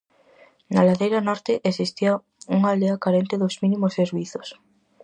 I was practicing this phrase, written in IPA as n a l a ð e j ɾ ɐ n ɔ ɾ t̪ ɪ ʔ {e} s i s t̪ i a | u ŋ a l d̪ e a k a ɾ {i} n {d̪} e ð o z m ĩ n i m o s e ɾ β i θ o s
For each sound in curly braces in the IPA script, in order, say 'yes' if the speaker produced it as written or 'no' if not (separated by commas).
yes, no, no